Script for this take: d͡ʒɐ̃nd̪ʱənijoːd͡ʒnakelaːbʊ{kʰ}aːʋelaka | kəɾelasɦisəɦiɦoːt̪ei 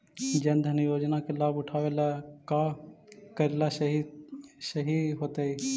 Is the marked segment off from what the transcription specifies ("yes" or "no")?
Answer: yes